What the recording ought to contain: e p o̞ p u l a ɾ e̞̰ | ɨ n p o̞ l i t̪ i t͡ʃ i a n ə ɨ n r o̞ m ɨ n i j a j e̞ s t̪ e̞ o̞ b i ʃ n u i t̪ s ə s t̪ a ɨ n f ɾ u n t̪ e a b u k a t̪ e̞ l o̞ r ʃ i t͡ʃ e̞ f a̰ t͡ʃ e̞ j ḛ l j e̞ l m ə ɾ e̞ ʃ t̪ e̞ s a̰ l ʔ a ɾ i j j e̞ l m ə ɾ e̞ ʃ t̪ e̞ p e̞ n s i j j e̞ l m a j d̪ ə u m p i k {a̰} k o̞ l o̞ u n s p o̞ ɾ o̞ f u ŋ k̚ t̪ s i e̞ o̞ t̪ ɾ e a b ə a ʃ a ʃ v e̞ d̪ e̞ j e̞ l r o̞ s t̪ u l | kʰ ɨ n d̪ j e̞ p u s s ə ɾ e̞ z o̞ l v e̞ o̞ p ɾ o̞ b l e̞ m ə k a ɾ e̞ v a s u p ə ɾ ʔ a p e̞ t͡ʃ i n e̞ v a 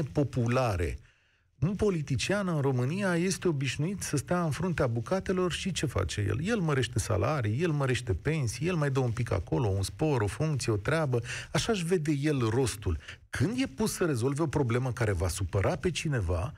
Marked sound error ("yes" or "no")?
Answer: no